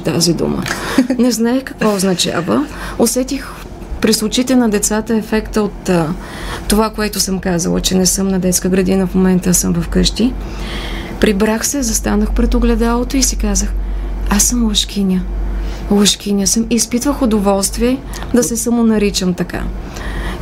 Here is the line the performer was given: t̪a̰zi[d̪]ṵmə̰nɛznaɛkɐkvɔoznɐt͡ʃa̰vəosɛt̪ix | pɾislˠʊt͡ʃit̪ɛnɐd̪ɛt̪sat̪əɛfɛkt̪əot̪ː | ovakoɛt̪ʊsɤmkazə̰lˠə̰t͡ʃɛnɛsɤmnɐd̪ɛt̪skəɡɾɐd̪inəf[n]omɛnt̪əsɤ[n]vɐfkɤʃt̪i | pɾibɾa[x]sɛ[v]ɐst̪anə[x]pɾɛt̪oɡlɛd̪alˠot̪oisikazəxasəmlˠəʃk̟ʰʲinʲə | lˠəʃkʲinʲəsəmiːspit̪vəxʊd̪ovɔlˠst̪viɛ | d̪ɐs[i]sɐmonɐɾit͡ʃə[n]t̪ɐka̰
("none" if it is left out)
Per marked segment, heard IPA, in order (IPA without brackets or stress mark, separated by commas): d̪, m, m, x, z, x, ɛ, m